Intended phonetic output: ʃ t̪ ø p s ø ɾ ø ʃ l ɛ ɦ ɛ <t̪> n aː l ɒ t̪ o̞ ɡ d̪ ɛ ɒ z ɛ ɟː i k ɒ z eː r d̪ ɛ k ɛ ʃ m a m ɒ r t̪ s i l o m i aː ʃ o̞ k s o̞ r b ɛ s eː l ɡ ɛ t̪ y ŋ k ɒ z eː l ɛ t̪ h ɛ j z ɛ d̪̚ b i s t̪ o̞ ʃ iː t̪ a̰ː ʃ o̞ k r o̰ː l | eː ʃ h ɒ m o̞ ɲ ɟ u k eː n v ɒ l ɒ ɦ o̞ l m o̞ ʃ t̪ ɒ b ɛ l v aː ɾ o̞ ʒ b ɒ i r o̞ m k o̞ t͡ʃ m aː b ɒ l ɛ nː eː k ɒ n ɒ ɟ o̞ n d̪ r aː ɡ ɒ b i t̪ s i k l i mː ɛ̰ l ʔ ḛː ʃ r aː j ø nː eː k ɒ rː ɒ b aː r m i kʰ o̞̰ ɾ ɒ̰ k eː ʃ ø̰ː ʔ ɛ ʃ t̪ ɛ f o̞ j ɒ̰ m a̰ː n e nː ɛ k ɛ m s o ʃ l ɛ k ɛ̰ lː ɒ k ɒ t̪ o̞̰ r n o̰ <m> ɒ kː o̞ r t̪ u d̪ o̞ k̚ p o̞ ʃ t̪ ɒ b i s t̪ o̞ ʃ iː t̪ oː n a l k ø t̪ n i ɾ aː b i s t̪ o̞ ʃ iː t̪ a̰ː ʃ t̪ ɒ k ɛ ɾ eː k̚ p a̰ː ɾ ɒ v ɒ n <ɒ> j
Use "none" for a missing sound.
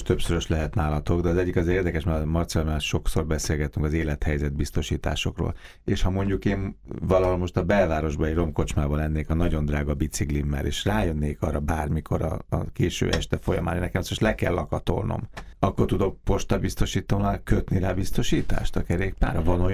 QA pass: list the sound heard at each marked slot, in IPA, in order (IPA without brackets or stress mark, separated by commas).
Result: t̪, m, o